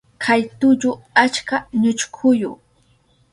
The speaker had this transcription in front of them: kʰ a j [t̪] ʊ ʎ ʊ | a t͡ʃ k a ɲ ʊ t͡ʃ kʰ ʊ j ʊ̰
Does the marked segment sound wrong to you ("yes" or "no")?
no